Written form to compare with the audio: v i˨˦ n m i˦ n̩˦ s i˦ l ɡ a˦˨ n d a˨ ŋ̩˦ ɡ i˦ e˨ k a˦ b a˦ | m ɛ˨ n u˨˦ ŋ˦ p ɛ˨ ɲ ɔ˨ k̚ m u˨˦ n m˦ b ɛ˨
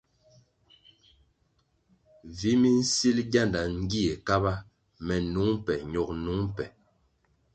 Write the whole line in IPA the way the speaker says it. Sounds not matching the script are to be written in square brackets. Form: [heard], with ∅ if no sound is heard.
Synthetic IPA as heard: v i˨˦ [∅] m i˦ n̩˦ s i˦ l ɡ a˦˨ n d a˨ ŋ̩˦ ɡ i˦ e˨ k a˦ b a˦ | m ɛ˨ n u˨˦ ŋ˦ p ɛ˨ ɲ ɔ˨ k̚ [n] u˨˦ [ŋ] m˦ [p] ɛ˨